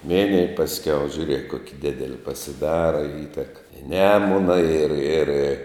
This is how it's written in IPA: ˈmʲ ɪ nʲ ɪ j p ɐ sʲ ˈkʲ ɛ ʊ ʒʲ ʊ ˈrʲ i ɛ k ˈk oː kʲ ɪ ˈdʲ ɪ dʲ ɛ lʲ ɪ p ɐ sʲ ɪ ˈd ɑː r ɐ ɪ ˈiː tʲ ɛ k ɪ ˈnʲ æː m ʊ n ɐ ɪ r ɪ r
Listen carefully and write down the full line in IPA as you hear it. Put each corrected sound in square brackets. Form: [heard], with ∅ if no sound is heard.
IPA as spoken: ˈmʲ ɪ nʲ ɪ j p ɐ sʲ ˈkʲ ɛ ʊ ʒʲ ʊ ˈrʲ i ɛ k ˈk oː kʲ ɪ ˈdʲ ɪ dʲ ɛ lʲ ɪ p ɐ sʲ ɪ ˈd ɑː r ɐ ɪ ˈiː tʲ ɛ k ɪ ˈnʲ æː m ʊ n ɐ ɪ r ɪ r